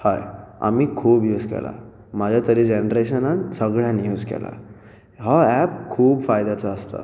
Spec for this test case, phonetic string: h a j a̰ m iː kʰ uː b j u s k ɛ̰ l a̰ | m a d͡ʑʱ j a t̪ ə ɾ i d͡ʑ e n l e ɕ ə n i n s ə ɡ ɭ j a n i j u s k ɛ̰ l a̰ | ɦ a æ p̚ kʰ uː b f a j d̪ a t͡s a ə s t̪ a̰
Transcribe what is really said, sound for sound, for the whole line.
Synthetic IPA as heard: h a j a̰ m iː kʰ uː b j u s k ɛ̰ l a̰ | m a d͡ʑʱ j a t̪ ə ɾ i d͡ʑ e n ɾ e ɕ ə n a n s ə ɡ ɭ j a n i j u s k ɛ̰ l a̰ | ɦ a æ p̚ kʰ uː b f a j d̪ a t͡s a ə s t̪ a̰

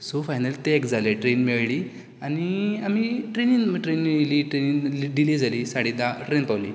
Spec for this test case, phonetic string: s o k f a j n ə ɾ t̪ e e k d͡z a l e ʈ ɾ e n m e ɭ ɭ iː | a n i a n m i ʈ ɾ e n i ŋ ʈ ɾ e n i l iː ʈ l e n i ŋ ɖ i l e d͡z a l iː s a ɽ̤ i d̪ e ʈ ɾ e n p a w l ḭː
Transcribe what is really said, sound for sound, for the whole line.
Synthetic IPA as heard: s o f a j n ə l t̪ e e k d͡z a l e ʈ ɾ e n m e ɭ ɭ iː | a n i a m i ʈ ɾ e n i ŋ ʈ ɾ e n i l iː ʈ ɾ e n i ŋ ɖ i l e d͡z a l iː s a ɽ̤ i d̪ a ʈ ɾ e n p a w l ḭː

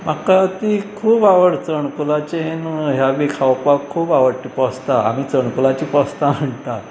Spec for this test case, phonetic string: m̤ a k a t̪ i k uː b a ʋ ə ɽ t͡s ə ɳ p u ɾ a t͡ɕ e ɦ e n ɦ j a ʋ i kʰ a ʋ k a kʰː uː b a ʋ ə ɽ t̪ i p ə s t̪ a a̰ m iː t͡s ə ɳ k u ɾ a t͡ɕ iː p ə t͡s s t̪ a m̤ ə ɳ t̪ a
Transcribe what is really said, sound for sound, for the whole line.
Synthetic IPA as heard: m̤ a k a t̪ i kʰ uː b a ʋ ə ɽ t͡s ə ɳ k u l a t͡ɕ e ɦ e n ɦ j a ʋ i kʰ a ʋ p a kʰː uː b a ʋ ə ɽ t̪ i p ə s t̪ a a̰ m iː t͡s ə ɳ k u l a t͡ɕ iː p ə s t̪ a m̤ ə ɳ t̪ a

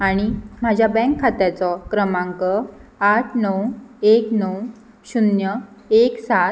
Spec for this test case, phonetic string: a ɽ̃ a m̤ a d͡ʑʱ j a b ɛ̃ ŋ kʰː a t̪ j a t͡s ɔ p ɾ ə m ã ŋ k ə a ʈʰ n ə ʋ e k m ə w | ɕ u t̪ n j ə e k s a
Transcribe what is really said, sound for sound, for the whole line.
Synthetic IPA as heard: a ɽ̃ i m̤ a d͡ʑʱ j a b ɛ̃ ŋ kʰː a t̪ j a t͡s ɔ k ɾ ə m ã ŋ k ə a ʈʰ n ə w e k n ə w | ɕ u n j ə e k s a

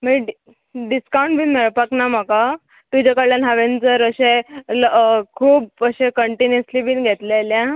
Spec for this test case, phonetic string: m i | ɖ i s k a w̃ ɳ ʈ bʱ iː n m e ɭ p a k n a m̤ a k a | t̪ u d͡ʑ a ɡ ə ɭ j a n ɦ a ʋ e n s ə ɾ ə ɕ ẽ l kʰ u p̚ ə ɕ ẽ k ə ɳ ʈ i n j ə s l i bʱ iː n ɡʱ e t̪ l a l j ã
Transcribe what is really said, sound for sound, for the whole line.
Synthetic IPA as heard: m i | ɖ i s k a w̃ ɳ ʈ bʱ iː n m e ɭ p a k n a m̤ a k a | t̪ u d͡ʑ a k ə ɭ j a n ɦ a ʋ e n t͡s ə ɾ ə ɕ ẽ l kʰ uː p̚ ə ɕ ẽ k ə ɳ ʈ i n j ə s l i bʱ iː n ɡʱ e t̪ l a l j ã

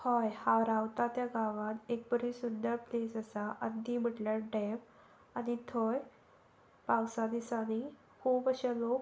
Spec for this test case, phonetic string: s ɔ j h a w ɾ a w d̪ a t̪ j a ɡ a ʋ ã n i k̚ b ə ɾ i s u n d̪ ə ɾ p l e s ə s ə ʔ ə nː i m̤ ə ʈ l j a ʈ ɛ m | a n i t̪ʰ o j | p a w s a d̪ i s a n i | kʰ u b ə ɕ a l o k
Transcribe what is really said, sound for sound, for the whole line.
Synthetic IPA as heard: h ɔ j h a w ɾ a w t̪ a t̪ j a ɡ a ʋ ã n e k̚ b ə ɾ i s u n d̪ ə ɾ p l e s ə s a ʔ ə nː i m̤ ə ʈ l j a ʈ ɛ m | a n i t̪ʰ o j | p a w s a d̪ i s a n i | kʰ u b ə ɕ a l o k

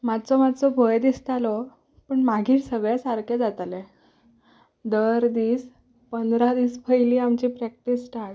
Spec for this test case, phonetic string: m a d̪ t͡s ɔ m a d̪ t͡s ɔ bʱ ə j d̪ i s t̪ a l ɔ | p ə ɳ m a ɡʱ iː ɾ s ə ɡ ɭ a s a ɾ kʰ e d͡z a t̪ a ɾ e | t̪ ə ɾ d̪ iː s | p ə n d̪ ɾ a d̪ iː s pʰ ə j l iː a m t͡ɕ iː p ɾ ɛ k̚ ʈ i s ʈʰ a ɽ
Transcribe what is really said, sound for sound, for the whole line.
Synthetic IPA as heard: m a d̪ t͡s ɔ m a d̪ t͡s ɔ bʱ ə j d̪ i s t̪ a l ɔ | p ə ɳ m a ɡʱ iː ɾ s ə ɡ ɭ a s a ɾ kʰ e d͡z a t̪ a l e | d̪ ə ɾ d̪ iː s | p ə n d̪ ɾ a d̪ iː s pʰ ə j l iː a m t͡ɕ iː p ɾ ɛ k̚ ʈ i s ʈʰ a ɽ

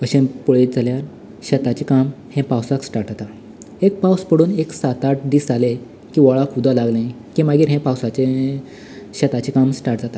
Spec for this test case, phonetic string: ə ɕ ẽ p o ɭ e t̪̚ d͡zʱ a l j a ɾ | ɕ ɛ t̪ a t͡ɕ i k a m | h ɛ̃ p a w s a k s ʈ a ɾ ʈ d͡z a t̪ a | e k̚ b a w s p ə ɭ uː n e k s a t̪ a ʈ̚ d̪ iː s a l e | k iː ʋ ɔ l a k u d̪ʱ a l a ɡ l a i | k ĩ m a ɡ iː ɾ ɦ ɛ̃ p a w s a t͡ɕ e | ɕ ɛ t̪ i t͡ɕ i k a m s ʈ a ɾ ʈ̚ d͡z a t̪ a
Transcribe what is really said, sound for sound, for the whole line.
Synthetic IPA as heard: ə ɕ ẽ p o ɭ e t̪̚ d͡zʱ a l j a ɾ | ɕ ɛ t̪ a t͡ɕ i k a m | h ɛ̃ p a w s a k s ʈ a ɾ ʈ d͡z a t̪ a | e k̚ p a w s p ə ɽ uː n e k s a t̪ a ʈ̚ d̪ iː s a l e | k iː ʋ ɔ ɭ a k u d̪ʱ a l a ɡ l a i | k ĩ m a ɡ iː ɾ ɦ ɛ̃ p a w s a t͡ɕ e | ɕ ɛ t̪ a t͡ɕ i k a m s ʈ a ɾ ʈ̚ d͡z a t̪ a

